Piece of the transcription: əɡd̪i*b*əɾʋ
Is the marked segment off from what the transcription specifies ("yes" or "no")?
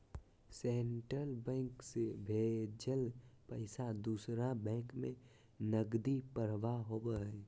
yes